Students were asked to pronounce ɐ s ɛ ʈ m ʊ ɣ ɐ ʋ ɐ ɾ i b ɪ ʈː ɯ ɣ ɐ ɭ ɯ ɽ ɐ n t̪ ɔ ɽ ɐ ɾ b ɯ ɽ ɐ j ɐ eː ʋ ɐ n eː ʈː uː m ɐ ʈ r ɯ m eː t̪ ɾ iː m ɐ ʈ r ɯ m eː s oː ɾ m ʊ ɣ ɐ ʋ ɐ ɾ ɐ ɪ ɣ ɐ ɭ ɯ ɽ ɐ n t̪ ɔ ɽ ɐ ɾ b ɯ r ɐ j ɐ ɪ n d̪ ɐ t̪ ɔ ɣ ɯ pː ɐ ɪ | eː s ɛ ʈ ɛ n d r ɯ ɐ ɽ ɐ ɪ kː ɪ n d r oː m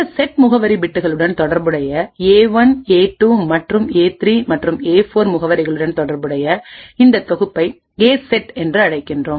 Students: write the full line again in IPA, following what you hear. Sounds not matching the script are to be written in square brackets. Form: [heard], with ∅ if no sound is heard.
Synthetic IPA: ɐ s ɛ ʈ m ʊ ɣ ɐ ʋ ɐ ɾ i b ɪ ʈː ɯ ɣ ɐ ɭ ɯ ɽ ɐ n t̪ ɔ ɽ ɐ ɾ b ɯ ɽ ɐ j ɐ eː ʋ ɐ n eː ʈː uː m ɐ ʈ r ɯ m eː t̪ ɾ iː m ɐ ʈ r ɯ m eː [f] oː ɾ m ʊ ɣ ɐ ʋ ɐ ɾ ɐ ɪ ɣ ɐ ɭ ɯ ɽ ɐ n t̪ ɔ ɽ ɐ ɾ b ɯ [ɽ] ɐ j ɐ ɪ n d̪ ɐ t̪ ɔ ɣ ɯ pː ɐ ɪ | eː s ɛ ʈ ɛ n d r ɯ ɐ ɽ ɐ ɪ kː ɪ n d r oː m